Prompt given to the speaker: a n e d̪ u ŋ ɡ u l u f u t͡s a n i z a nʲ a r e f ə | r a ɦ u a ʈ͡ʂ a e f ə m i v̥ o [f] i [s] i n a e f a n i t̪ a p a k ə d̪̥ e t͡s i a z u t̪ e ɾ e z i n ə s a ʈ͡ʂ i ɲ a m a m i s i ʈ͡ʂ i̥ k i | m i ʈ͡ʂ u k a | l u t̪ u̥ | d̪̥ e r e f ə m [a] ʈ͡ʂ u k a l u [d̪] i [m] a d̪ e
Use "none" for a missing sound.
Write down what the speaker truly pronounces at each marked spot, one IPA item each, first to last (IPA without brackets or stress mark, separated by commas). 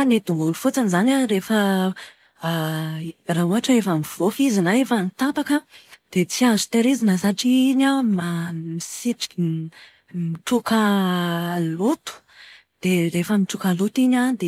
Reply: f, z, i, t̪, ɲ